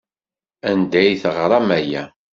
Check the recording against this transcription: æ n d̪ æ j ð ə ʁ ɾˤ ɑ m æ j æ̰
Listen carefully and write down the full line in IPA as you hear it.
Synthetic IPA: æ n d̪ æ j θ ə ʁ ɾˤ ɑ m æ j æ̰